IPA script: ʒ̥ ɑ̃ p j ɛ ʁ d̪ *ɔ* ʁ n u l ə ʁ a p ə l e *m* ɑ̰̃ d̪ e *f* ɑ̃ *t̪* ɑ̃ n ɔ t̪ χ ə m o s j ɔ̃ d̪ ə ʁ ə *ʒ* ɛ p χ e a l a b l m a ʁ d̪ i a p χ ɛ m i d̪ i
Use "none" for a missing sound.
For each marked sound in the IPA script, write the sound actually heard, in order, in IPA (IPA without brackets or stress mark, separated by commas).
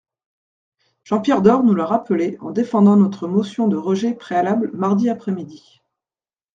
ɔ, none, f, d̪, ʒ